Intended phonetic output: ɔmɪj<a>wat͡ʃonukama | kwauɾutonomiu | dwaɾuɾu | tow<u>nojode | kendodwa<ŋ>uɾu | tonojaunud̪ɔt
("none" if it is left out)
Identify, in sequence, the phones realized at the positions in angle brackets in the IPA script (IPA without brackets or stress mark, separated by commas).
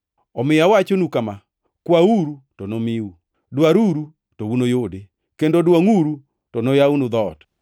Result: a, u, ŋ